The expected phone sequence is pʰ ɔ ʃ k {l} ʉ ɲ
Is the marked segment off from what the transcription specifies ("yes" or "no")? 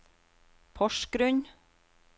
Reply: yes